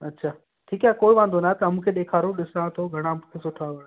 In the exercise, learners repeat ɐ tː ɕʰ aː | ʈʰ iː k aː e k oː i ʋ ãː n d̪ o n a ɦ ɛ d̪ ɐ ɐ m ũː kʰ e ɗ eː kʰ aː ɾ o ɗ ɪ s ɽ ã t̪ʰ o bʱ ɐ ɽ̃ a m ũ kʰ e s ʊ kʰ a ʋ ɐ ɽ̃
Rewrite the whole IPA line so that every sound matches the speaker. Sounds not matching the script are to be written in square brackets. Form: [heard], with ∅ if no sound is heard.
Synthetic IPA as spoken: ɐ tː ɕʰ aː | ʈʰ iː k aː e k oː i ʋ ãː n d̪ o n a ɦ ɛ [t̪] ɐ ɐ m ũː kʰ e ɗ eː kʰ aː ɾ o ɗ ɪ s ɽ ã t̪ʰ o [ɡʱ] ɐ ɽ̃ a m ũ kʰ e s ʊ [ʈʰ] a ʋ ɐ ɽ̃